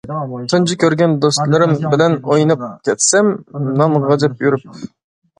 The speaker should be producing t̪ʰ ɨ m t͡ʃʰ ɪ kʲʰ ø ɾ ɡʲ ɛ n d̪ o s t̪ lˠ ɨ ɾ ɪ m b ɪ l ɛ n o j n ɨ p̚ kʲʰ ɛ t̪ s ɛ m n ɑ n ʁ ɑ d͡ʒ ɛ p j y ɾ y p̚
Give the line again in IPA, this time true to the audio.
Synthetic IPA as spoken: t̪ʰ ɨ n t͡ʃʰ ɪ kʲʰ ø ɾ ɡʲ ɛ n d̪ o s t̪ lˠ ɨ ɾ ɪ m b ɪ l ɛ n o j n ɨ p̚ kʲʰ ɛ t̪ s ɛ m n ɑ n ʁ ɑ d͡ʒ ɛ p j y ɾ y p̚